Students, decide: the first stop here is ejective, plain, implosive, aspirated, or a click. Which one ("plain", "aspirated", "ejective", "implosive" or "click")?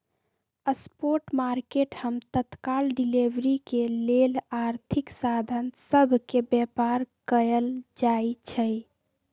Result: plain